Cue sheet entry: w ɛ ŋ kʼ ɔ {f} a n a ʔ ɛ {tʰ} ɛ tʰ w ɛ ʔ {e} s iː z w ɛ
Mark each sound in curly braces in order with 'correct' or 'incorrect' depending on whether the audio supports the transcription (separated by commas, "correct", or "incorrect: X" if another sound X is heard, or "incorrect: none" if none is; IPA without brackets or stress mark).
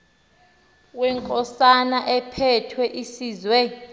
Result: incorrect: s, incorrect: pʰ, incorrect: i